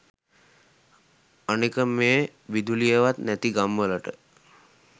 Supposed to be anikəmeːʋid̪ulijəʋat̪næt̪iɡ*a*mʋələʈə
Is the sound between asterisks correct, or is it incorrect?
correct